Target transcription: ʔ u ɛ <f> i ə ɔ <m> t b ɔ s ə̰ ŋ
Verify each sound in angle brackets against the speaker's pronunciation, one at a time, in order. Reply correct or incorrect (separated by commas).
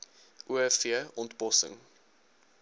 correct, incorrect